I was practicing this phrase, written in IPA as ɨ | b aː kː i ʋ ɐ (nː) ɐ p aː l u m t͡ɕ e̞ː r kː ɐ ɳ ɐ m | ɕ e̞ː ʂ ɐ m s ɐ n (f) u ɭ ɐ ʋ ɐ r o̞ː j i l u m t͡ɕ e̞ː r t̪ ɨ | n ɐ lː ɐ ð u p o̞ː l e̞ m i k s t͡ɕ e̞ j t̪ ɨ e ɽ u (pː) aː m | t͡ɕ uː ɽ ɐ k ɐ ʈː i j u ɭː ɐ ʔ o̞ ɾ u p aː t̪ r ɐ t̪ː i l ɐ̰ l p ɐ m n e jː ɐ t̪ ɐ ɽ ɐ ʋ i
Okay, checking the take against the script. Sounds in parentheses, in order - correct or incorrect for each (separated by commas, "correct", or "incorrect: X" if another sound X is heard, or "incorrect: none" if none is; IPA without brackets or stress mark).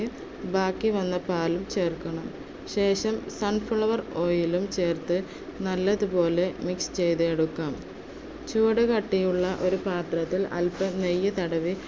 correct, correct, incorrect: kː